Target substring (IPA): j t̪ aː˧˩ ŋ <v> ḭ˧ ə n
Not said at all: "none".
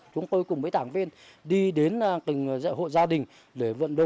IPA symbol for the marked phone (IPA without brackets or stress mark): v